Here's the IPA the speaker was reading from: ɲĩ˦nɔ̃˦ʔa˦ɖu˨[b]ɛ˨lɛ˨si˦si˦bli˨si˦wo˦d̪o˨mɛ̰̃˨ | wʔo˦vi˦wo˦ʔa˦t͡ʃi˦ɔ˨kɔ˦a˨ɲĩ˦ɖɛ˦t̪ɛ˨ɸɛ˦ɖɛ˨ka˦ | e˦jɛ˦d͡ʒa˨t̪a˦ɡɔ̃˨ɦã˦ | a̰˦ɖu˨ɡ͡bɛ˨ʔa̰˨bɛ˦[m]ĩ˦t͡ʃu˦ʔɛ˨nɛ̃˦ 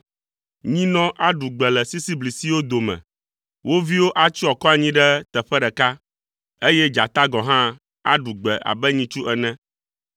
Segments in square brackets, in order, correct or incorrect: incorrect: ɡ͡b, incorrect: ɲ

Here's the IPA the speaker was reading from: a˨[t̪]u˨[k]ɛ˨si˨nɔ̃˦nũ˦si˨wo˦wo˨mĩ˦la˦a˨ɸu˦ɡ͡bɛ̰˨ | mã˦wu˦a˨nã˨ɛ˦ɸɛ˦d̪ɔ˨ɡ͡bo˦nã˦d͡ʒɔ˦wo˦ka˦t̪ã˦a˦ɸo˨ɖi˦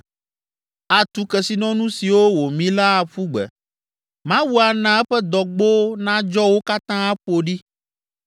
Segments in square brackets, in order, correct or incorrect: correct, correct

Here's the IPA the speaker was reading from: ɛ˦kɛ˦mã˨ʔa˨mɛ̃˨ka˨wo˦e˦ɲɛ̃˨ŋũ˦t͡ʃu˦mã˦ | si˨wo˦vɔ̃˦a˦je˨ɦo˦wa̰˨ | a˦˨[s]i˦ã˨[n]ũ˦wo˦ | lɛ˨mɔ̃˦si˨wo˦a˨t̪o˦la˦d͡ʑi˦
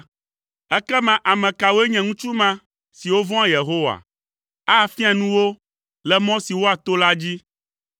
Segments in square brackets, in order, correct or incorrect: incorrect: f, correct

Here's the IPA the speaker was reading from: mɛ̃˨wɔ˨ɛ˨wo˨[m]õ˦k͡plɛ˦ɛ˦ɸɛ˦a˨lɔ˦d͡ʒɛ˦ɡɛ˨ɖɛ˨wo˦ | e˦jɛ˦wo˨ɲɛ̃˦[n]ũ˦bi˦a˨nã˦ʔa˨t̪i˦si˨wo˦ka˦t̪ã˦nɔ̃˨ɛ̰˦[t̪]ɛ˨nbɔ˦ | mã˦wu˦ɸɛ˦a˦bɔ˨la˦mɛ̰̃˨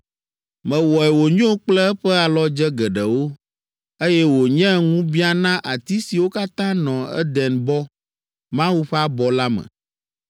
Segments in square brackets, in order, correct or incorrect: incorrect: ɲ, incorrect: ŋ, incorrect: d̪

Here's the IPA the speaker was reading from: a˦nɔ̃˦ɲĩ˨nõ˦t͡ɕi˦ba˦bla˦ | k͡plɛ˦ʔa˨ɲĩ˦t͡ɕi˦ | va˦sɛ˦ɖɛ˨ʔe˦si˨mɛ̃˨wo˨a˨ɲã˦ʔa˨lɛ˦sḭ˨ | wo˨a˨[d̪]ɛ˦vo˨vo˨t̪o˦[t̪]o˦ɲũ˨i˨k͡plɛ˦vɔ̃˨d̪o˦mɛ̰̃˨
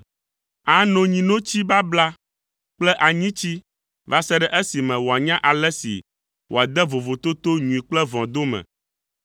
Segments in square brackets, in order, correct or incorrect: correct, correct

